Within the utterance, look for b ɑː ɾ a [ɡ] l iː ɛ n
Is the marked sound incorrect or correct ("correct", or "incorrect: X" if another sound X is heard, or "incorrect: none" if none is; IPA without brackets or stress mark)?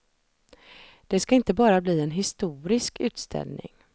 incorrect: b